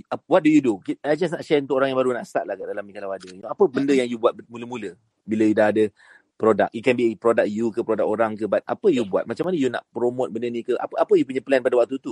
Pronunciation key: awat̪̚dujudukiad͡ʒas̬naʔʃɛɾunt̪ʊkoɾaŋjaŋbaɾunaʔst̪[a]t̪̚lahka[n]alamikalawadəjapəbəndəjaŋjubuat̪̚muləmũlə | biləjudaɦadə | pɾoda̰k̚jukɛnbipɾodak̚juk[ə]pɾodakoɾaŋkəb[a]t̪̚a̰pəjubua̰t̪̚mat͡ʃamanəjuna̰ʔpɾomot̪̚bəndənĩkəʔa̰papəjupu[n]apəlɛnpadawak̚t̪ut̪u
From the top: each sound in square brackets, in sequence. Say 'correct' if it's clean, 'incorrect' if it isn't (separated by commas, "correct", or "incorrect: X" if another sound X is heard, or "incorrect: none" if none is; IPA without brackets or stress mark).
correct, incorrect: d, correct, correct, incorrect: ɲ